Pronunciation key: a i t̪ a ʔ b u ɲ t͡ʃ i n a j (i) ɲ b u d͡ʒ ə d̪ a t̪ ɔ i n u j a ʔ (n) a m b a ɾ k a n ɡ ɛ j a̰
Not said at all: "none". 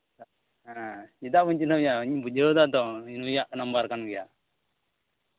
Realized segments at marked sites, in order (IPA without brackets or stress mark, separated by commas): a, n